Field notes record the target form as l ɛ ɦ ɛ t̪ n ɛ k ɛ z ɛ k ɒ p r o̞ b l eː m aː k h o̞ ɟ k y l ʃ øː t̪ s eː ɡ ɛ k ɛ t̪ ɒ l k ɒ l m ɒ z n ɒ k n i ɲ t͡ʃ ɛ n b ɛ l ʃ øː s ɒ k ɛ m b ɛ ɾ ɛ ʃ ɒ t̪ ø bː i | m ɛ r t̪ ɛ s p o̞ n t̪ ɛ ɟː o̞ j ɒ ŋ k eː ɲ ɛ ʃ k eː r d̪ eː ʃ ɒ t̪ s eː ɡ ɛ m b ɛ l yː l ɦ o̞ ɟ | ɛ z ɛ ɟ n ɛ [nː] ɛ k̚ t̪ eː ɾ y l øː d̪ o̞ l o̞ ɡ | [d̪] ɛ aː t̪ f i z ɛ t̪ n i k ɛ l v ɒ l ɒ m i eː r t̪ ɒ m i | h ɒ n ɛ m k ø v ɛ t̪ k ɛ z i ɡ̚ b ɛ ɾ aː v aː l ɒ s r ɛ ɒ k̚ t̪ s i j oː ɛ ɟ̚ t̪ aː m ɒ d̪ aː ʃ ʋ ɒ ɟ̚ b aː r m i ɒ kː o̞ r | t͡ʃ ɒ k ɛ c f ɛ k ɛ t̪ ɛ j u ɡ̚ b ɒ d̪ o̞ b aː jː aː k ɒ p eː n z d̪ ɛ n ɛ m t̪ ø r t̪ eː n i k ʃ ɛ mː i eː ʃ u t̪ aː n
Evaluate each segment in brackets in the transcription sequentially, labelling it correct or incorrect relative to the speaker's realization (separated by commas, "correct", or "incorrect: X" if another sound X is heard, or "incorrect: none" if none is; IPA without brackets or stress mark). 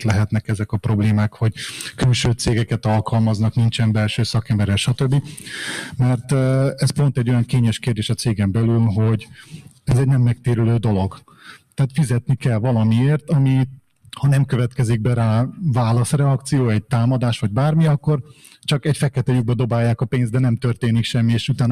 incorrect: mː, incorrect: t̪